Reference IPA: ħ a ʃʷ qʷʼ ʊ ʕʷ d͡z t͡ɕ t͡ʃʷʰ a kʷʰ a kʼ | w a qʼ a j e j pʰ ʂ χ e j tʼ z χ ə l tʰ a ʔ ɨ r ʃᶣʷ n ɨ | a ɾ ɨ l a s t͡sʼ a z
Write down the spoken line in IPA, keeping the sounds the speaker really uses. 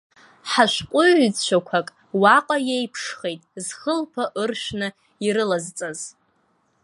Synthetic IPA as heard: ħ a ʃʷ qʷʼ ʊ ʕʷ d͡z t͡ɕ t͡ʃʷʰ a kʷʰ a kʼ | w a qʼ a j e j pʰ ʂ χ e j tʼ z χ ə l pʰ a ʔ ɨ r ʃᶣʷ n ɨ | i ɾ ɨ l a z t͡sʼ a z